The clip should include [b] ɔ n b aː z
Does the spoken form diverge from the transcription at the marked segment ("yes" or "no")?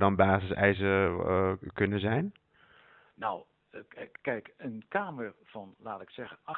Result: yes